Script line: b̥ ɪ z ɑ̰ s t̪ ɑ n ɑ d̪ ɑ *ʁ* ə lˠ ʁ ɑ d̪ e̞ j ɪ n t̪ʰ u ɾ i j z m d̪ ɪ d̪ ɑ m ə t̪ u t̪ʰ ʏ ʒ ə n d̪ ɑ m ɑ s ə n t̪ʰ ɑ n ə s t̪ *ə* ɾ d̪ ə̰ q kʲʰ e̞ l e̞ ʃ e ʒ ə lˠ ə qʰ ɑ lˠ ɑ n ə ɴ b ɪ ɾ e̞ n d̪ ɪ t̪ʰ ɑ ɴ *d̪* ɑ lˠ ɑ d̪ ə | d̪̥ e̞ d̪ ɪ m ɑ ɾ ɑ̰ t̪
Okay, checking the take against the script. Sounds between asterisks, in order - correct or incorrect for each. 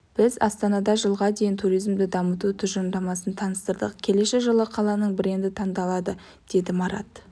incorrect: ʒ, correct, correct

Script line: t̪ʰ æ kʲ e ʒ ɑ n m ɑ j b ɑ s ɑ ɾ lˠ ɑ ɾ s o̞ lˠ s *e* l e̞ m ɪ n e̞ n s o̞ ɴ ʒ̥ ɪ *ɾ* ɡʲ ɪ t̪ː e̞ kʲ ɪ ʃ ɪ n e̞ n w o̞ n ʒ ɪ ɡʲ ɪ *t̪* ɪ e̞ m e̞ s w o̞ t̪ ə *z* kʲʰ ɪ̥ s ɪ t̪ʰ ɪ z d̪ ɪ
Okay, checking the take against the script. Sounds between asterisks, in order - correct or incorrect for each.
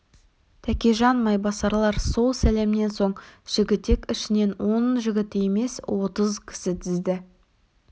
incorrect: æ, incorrect: none, correct, correct

